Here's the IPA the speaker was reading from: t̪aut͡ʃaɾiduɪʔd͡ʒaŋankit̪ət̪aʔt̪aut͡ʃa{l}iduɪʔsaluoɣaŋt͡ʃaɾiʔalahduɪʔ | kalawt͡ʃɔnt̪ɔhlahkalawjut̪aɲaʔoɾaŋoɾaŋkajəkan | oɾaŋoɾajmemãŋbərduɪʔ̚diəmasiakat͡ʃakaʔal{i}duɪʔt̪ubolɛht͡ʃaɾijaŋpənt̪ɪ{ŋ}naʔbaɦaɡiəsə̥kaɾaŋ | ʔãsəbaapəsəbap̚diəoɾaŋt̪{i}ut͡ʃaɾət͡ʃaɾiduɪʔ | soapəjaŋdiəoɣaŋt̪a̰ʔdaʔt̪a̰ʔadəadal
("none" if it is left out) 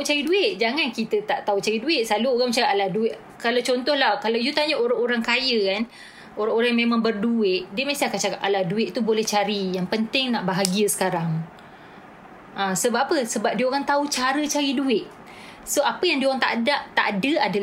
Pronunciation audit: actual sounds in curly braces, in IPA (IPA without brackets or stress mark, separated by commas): ɾ, a, ŋ, a